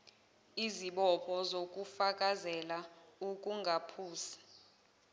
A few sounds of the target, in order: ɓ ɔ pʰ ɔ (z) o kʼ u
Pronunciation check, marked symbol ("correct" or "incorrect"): correct